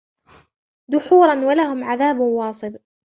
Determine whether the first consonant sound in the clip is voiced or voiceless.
voiced